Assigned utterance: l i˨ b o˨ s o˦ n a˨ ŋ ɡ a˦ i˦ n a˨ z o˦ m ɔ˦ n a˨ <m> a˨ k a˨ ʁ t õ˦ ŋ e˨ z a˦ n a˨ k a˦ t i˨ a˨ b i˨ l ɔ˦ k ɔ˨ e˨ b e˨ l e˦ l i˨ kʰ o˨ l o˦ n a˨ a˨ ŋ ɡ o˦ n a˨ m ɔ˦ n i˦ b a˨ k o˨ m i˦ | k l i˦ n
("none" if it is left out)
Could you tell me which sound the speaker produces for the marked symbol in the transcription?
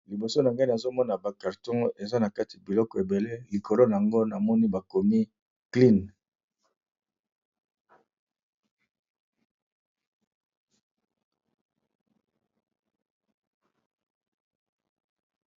b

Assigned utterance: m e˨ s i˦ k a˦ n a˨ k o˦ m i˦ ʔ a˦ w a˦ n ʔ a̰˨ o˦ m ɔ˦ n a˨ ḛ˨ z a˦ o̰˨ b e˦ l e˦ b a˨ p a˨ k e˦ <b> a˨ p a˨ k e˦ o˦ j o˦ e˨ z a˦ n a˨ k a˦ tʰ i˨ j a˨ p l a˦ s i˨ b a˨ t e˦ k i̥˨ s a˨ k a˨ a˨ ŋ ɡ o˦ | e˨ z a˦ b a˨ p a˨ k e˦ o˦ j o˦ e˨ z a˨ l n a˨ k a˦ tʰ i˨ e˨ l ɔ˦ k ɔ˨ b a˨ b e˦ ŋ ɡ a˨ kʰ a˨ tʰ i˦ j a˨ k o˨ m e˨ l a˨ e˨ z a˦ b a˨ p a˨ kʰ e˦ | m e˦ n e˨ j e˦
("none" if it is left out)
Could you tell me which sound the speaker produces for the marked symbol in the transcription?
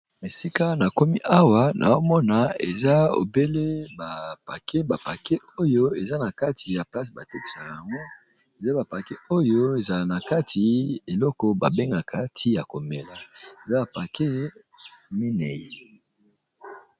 b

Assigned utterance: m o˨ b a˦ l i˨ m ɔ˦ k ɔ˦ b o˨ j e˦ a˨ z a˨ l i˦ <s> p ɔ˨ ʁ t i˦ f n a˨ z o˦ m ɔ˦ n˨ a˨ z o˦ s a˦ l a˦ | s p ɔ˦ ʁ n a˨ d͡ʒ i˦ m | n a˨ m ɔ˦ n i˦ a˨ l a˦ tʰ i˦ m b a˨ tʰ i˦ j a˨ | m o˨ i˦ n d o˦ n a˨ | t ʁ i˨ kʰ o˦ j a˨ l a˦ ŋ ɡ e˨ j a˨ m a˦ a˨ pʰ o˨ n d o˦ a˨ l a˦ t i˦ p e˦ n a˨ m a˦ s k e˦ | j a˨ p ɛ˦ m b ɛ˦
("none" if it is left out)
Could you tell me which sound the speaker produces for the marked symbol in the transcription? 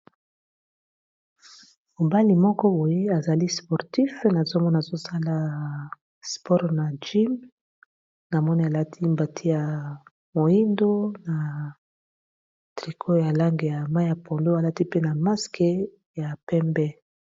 s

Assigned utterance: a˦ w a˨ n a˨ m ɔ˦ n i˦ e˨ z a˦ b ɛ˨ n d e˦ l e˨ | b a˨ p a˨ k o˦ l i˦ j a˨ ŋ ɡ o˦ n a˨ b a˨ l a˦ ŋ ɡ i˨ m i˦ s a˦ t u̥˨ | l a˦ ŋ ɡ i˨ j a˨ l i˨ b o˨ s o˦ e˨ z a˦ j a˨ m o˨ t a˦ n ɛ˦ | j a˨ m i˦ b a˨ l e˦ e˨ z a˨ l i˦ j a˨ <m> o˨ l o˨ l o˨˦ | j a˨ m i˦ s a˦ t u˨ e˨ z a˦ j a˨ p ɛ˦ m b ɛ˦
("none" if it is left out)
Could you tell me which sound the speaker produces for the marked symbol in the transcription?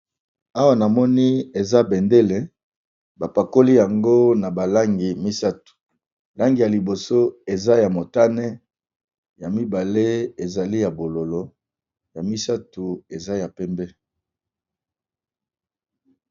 b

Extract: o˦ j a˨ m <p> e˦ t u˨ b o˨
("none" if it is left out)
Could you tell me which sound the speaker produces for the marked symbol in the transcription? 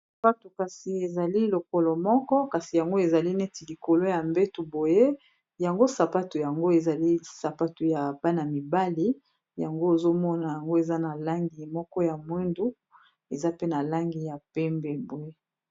b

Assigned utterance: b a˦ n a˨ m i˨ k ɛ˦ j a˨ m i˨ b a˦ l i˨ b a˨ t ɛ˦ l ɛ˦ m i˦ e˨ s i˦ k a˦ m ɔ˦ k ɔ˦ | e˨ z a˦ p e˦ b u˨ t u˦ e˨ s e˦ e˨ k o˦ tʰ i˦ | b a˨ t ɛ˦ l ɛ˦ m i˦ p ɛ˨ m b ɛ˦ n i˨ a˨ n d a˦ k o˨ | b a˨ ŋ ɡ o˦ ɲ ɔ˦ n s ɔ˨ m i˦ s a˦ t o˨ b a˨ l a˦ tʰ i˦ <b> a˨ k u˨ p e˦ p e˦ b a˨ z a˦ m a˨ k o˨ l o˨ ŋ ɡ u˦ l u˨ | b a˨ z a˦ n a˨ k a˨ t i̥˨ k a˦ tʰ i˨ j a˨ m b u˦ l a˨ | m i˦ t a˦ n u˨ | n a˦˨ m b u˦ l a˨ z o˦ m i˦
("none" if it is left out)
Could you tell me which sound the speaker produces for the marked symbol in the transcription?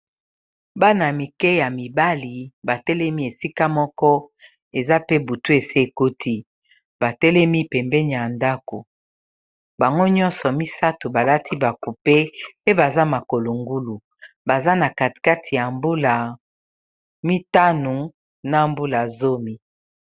b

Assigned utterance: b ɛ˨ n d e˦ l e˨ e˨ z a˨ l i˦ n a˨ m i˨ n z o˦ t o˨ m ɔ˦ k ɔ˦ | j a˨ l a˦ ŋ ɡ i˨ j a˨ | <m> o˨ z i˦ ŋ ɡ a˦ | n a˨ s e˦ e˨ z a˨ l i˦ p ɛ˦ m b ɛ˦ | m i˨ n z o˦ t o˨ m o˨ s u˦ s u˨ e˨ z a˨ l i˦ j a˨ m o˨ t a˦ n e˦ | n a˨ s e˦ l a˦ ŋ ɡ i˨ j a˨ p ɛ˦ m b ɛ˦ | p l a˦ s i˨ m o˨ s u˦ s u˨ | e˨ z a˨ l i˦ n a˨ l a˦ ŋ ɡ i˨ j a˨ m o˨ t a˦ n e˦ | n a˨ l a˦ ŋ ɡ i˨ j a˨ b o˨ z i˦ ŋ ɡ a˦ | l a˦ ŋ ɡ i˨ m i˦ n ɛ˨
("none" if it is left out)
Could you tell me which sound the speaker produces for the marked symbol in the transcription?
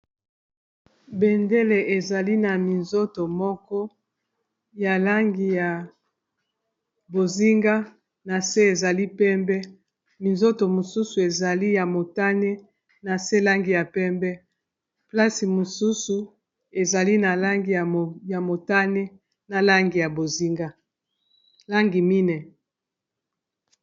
b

